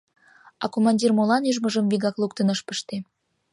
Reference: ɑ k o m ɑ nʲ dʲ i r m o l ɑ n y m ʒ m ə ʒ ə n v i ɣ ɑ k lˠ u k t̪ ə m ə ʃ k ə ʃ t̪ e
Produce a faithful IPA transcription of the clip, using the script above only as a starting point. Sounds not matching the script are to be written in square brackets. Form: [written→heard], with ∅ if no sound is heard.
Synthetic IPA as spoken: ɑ k o m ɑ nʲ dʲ i r m o l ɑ n y [m→∅] ʒ m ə ʒ ə [n→m] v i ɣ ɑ k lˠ u k t̪ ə [m→n] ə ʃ [k→p] ə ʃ t̪ e